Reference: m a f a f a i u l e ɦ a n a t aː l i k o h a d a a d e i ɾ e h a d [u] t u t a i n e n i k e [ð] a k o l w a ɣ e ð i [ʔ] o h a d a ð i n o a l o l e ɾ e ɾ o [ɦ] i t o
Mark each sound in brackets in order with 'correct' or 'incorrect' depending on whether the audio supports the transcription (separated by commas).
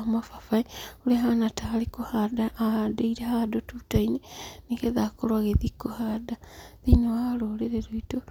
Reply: incorrect, correct, incorrect, incorrect